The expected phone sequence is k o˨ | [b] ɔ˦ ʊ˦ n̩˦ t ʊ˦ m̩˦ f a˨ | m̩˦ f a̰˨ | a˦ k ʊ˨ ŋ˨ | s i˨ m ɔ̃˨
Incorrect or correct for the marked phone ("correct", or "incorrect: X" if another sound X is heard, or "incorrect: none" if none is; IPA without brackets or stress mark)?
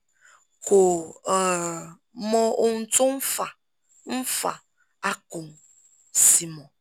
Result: incorrect: m